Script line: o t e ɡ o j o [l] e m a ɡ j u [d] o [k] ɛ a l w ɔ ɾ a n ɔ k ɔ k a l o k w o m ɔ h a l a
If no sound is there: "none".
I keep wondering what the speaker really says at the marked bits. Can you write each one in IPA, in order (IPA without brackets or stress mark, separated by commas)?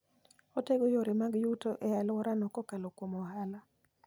ɾ, t, ʔ